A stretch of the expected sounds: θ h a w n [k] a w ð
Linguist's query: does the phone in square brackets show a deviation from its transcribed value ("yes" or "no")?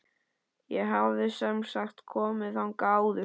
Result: no